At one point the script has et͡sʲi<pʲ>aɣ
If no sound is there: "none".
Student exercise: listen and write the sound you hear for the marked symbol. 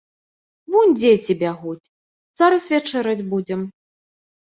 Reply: bʲ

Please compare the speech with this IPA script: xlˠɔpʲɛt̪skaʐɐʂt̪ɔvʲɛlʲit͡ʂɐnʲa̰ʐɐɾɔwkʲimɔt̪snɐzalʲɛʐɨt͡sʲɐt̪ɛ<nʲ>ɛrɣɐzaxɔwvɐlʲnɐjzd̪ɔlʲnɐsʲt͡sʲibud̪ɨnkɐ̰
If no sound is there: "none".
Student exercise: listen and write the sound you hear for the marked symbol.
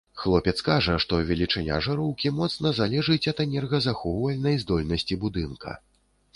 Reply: nʲ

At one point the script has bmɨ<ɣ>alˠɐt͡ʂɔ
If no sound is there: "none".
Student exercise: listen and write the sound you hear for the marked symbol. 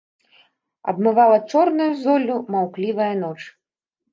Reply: v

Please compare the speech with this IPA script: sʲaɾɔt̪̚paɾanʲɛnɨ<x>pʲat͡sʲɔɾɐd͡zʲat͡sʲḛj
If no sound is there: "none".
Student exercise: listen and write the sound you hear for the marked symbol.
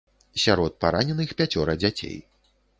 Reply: x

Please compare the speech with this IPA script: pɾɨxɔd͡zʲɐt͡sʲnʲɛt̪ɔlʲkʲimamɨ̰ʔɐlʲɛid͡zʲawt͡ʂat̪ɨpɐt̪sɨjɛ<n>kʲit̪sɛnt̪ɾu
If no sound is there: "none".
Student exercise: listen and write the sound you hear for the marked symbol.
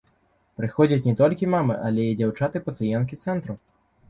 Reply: n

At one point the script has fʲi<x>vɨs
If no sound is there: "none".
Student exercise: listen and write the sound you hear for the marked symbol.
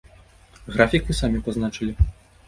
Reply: k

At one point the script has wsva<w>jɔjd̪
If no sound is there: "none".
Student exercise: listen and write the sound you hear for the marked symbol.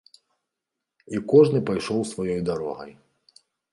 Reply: none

